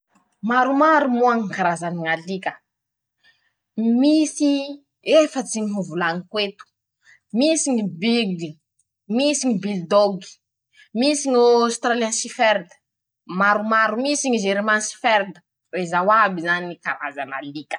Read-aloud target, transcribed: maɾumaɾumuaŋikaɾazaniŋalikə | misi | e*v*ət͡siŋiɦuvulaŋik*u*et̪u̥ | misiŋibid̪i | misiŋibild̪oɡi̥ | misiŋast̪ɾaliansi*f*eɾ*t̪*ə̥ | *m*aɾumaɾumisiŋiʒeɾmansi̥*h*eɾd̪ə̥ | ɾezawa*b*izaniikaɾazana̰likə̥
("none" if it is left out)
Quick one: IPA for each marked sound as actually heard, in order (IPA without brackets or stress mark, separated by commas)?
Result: f, w, f, d̪, m, f, b